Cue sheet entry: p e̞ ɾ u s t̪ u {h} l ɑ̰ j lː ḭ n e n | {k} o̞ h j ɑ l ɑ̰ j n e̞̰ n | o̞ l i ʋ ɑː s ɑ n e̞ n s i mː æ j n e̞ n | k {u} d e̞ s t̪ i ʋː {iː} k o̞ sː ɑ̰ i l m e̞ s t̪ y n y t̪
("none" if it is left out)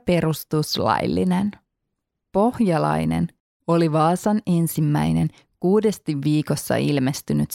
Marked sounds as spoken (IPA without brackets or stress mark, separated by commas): s, p, uː, iː